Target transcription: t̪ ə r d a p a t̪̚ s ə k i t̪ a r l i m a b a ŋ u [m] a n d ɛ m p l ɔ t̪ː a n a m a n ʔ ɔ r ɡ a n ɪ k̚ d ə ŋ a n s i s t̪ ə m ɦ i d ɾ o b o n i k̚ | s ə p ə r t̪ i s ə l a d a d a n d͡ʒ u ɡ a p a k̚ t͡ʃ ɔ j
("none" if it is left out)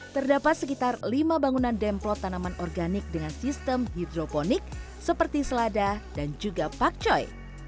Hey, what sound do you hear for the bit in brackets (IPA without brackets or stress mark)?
n